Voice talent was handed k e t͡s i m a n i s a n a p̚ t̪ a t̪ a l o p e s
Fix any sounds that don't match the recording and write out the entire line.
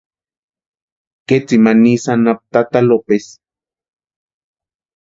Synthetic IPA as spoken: k e t͡s i m a n i s a n a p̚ t̪ a t̪ a l o p e s